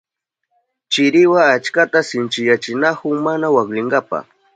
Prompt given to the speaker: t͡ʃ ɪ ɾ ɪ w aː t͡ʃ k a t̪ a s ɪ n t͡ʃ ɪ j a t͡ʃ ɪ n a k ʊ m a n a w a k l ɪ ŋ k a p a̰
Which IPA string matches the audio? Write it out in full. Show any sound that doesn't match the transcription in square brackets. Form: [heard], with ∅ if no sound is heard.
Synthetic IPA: t͡ʃ ɪ ɾ ɪ w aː t͡ʃ k a t̪ a s ɪ n t͡ʃ ɪ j a t͡ʃ ɪ n a k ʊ m a n a w a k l ɪ ŋ [ɡ] a p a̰